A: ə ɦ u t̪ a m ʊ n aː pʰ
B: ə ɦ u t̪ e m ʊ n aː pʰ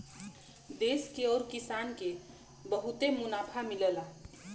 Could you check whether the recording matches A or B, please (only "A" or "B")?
B